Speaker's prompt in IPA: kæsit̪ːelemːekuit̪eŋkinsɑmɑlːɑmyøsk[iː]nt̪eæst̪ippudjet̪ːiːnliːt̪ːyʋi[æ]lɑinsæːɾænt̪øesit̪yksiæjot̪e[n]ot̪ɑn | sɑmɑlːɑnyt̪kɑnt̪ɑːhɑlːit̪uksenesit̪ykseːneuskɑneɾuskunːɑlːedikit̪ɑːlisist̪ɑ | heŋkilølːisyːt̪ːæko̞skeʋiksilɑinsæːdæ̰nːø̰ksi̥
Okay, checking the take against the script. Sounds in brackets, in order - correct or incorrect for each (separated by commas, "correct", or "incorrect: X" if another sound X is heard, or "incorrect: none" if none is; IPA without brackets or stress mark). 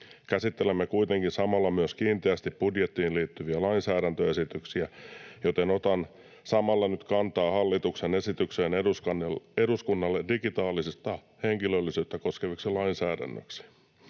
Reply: correct, correct, correct